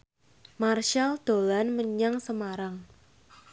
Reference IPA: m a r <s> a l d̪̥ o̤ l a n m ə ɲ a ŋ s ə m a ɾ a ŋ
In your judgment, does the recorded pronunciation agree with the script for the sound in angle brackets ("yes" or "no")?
no